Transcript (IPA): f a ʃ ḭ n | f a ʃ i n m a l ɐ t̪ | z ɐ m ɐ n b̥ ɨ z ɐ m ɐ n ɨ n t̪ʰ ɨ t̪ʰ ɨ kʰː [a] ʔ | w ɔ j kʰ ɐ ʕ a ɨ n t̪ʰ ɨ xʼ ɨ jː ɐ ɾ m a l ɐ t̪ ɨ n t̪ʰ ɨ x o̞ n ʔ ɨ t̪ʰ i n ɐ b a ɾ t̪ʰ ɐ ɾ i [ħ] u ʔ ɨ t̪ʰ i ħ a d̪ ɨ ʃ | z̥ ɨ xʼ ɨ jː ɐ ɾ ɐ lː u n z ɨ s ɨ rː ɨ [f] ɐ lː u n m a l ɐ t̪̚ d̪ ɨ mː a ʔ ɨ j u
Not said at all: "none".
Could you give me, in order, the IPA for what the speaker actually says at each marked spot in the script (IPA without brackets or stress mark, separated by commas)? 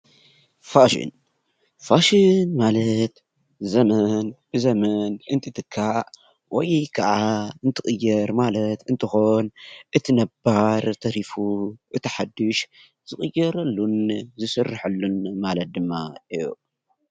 a, f, ħ